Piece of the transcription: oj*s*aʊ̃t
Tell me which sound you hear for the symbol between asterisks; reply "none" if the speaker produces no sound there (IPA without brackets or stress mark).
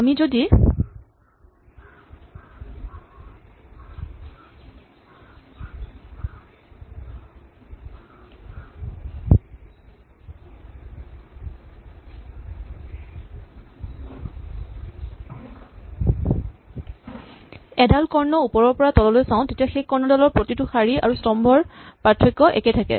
s